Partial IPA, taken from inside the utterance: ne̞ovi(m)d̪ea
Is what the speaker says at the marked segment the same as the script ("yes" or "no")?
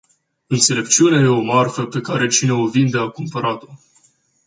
no